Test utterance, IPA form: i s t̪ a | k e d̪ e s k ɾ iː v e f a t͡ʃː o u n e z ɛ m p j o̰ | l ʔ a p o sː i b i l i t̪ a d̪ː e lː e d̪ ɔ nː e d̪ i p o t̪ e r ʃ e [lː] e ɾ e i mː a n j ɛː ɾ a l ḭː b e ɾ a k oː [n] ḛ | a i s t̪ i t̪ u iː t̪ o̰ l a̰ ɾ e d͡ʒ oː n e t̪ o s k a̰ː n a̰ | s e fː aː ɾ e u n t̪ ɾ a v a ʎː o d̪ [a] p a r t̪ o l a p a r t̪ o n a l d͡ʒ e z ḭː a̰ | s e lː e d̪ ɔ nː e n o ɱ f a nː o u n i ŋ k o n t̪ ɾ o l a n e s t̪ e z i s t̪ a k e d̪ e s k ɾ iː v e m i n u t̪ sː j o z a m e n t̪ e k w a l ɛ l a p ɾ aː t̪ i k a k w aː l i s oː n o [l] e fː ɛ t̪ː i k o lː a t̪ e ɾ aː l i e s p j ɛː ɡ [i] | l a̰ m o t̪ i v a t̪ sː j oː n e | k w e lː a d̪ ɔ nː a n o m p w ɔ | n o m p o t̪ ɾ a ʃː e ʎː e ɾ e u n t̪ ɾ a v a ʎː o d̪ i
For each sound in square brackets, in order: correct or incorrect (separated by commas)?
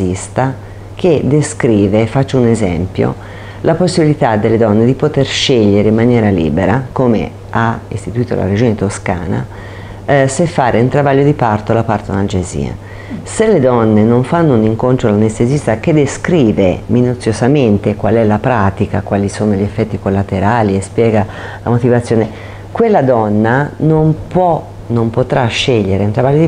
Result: incorrect, incorrect, incorrect, incorrect, incorrect